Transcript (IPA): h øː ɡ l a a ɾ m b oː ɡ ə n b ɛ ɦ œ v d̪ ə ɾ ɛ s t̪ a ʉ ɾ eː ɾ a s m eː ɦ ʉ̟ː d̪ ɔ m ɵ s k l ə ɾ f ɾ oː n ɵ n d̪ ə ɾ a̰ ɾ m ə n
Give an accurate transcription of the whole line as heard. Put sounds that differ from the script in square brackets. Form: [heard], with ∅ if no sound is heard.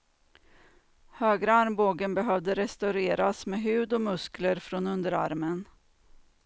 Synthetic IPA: h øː ɡ [ɾ] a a ɾ m b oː ɡ ə n b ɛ ɦ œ v d̪ ə ɾ ɛ s t̪ a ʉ ɾ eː ɾ a s m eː ɦ ʉ̟ː d̪ ɔ m ɵ s k l ə ɾ f ɾ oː n ɵ n d̪ ə ɾ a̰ ɾ m ə n